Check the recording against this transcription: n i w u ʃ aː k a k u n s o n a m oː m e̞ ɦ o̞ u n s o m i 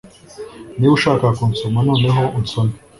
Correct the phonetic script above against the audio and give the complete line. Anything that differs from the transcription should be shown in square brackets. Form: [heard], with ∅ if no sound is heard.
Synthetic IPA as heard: n i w u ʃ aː k a k u n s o [m] a [n] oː [n] e̞ ɦ o̞ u n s o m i